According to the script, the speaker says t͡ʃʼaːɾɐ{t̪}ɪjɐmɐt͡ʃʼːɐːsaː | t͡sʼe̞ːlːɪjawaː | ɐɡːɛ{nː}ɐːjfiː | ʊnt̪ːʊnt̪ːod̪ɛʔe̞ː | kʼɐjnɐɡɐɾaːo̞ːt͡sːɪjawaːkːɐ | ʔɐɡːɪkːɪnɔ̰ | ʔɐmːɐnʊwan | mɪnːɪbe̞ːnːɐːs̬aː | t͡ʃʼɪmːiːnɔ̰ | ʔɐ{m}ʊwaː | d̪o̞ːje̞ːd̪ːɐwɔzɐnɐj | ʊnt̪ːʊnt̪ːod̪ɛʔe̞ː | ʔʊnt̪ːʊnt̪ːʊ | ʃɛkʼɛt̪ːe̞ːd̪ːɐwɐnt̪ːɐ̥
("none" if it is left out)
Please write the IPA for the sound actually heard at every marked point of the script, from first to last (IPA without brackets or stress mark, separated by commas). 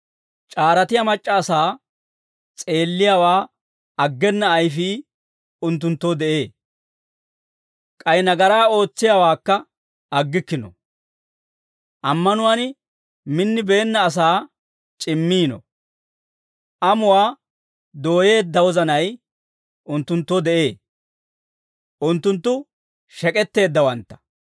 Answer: t̪, nː, m